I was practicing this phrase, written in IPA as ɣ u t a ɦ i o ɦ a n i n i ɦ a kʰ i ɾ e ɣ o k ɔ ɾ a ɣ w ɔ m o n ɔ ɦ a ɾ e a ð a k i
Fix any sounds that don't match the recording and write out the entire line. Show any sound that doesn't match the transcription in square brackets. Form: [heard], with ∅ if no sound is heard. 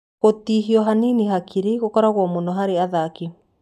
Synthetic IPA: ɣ [o] t [i] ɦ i [ɔ] ɦ a n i n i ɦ a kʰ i ɾ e ɣ o k ɔ ɾ a ɣ w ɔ m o n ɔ ɦ a ɾ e a ð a k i